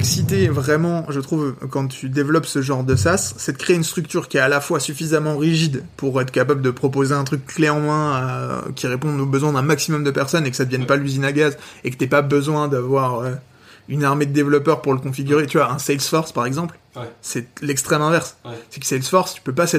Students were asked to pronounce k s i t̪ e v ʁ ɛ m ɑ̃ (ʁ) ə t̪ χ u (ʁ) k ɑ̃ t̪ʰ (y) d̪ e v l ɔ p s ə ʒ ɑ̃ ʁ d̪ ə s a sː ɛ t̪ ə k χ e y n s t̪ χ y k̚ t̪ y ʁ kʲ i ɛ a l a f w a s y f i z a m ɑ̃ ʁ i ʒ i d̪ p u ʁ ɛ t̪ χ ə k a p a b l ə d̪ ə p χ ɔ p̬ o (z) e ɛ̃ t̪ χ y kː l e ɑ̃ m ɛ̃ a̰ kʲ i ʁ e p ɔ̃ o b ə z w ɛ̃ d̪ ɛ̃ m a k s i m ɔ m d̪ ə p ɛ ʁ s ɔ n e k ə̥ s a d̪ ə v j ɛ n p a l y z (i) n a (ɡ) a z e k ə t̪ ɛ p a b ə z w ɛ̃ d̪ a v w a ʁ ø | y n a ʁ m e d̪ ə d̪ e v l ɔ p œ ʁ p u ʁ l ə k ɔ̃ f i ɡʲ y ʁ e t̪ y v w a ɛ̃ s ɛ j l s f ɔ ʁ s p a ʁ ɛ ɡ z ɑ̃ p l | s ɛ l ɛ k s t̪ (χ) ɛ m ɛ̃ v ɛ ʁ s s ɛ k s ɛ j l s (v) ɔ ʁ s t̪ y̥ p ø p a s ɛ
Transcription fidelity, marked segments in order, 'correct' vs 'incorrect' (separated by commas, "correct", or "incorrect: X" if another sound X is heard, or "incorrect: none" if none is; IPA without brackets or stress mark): incorrect: ʒ, incorrect: v, correct, correct, correct, correct, correct, incorrect: f